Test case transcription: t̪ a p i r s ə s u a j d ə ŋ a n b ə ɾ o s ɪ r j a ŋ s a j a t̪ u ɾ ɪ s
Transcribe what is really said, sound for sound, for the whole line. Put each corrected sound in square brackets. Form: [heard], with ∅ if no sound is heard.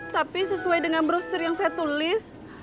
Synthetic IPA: t̪ a p i [∅] s ə s u a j d ə ŋ a n b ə ɾ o s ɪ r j a ŋ s a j a t̪ u [l] ɪ s